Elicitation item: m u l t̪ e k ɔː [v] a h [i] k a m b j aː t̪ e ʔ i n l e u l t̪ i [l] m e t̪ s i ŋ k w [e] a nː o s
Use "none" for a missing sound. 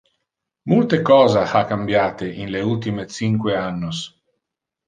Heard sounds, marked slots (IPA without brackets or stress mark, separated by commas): z, a, none, e